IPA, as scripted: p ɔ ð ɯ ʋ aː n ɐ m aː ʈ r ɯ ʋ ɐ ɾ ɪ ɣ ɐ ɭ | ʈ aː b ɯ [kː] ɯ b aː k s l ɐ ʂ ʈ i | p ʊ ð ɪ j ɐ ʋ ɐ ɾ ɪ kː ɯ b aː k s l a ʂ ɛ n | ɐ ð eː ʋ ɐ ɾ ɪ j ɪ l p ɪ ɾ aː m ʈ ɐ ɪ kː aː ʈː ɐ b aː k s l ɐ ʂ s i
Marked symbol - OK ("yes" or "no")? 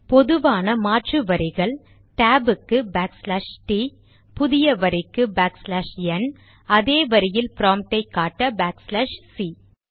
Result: yes